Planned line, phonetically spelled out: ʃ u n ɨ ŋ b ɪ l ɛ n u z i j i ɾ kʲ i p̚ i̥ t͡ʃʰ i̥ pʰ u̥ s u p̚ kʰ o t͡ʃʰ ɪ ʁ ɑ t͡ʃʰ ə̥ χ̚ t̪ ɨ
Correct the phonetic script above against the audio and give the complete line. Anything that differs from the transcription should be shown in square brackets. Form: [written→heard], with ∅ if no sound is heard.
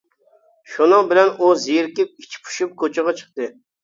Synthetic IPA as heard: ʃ u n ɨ ŋ b ɪ l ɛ n u z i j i ɾ kʲ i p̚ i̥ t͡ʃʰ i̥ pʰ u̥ [s→ʃ] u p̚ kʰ o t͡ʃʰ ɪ ʁ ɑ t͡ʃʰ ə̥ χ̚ t̪ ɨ